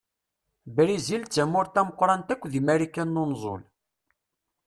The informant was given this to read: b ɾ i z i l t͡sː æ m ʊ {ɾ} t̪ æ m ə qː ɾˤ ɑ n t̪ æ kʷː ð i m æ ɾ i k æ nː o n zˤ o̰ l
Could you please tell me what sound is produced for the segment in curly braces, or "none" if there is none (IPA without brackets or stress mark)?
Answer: ɾ